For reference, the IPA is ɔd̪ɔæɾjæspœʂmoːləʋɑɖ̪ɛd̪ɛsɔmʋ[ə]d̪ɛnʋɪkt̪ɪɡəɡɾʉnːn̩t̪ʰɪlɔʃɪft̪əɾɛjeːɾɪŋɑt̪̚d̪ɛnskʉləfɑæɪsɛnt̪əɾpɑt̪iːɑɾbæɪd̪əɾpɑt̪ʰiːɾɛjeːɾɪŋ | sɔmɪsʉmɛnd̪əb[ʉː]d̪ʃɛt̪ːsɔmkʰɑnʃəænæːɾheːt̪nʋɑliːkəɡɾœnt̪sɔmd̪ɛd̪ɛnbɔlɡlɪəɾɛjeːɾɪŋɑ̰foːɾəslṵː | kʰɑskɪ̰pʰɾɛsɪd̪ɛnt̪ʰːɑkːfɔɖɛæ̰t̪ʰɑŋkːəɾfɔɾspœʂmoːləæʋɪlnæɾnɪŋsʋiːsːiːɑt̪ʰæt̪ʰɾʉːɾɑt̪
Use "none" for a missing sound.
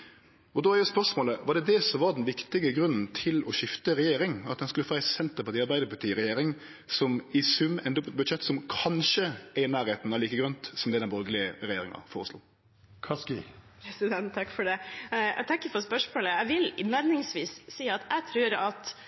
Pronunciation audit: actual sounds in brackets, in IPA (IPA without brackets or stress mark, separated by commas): ɑ, ʉ